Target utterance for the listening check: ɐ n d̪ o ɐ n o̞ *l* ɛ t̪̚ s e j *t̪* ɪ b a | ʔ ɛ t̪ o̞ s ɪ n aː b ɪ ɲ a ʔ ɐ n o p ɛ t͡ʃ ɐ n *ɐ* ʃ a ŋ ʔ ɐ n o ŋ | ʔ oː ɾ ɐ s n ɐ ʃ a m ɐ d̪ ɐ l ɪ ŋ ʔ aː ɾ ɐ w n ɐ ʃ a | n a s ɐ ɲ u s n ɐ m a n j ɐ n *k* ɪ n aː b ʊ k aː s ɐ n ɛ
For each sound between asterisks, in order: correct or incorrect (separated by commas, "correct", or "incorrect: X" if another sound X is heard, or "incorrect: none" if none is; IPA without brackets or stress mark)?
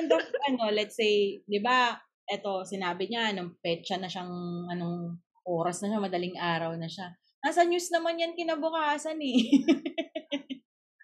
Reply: correct, incorrect: d̪, correct, correct